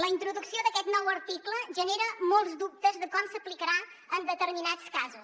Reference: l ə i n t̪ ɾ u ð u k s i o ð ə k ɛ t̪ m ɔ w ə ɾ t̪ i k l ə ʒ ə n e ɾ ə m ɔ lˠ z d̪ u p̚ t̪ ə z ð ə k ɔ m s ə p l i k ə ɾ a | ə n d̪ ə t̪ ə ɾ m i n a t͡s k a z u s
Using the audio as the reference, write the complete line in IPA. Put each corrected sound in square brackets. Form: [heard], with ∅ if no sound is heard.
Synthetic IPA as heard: l ə i n t̪ ɾ u ð u k s i o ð ə k ɛ t̪ [n] ɔ w ə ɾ t̪ i k l ə ʒ ə n e ɾ ə m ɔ lˠ z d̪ u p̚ t̪ ə z ð ə k ɔ m s ə p l i k ə ɾ a | ə n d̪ ə t̪ ə ɾ m i n a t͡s k a z u s